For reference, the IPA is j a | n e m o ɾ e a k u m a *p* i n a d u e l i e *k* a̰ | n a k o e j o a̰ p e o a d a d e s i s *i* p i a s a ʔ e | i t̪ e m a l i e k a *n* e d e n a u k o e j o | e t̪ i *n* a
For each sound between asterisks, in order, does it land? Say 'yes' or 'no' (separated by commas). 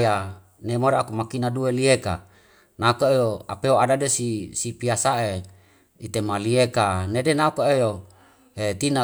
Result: no, yes, yes, yes, yes